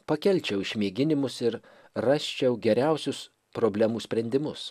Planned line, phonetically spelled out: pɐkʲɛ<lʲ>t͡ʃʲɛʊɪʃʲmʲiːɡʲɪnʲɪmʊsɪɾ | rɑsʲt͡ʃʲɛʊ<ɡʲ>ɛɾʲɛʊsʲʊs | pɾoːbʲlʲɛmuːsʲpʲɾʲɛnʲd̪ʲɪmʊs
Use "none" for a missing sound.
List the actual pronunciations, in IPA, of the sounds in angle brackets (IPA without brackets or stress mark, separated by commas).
lʲ, ɡʲ